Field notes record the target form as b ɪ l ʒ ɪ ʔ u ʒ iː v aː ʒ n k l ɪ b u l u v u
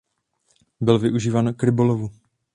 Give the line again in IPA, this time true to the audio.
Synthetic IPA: b ɪ l v ɪ ʔ u ʒ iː v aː n k ɾ ɪ b o l o v u